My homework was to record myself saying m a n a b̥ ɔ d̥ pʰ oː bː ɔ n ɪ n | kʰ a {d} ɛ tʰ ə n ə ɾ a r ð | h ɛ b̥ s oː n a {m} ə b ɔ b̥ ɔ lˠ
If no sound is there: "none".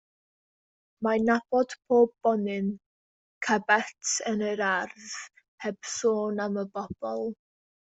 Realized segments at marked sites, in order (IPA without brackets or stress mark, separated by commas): b, m